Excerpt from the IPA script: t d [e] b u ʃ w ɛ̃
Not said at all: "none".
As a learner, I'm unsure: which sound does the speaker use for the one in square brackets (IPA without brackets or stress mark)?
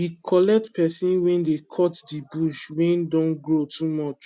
i